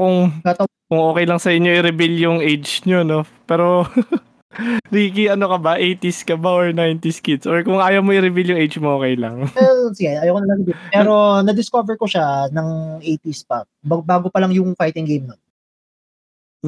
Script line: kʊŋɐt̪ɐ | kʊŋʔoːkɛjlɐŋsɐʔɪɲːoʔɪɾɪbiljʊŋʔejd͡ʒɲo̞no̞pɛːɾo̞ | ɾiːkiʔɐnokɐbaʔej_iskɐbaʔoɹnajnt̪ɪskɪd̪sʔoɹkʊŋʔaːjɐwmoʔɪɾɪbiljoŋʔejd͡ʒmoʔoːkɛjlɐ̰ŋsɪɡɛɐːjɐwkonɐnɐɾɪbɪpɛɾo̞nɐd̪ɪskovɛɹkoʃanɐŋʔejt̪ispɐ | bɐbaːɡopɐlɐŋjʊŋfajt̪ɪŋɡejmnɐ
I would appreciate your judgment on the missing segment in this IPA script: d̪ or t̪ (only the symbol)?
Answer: t̪